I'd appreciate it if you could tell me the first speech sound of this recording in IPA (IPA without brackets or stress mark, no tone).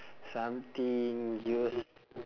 s